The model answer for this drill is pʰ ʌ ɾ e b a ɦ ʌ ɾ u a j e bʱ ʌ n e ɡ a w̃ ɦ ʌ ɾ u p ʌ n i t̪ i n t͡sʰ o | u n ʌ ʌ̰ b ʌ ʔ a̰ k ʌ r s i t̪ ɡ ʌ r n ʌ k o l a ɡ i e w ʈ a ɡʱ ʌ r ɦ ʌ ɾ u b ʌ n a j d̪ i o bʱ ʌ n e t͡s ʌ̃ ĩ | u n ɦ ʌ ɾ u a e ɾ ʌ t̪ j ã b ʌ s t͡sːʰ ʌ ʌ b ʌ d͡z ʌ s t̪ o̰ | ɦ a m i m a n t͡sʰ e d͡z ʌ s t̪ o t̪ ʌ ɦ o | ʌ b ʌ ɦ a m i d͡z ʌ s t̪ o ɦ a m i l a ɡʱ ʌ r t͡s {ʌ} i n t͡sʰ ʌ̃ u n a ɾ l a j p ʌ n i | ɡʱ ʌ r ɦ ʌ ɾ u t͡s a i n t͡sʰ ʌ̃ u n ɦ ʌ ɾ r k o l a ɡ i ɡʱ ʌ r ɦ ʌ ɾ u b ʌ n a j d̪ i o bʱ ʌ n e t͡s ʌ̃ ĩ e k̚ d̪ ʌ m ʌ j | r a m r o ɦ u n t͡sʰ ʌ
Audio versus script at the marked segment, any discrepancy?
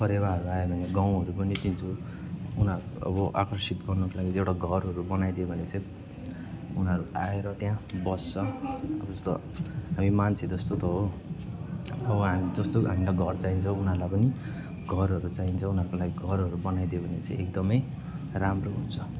yes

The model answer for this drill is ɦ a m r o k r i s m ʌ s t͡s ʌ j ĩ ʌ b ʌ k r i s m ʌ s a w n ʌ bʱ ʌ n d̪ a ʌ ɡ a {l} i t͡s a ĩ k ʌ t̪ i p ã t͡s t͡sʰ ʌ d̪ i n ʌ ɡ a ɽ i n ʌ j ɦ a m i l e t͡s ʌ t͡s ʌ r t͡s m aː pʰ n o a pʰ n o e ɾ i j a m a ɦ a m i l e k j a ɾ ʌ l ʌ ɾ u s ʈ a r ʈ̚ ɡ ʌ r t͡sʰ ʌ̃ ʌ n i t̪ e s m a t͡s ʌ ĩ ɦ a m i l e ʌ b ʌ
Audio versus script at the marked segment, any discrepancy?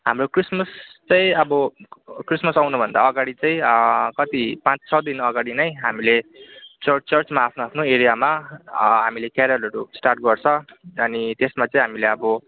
yes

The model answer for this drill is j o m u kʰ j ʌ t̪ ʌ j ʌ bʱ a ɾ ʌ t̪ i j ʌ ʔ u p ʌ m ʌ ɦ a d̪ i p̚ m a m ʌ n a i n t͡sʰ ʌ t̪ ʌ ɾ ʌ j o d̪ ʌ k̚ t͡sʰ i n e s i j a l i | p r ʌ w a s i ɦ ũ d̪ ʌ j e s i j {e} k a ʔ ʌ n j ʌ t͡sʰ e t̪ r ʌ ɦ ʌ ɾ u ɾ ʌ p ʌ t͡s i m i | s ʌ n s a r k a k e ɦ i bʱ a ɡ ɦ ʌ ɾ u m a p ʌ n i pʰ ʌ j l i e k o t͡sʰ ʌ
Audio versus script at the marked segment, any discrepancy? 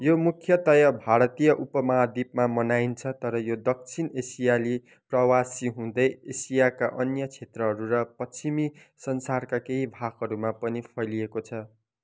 yes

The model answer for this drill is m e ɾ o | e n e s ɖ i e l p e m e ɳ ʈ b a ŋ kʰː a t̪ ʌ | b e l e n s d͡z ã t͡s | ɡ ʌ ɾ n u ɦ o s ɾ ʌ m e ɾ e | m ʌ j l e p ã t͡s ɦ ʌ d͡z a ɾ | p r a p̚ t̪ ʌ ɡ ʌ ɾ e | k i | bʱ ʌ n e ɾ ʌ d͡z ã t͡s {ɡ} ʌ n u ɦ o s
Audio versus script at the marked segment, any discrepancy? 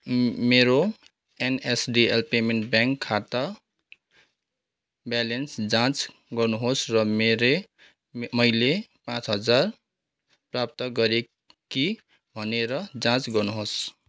no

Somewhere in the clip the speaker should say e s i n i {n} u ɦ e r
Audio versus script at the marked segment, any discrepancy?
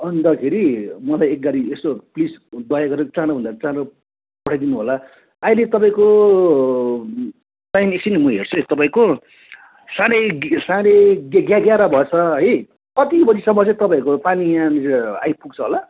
yes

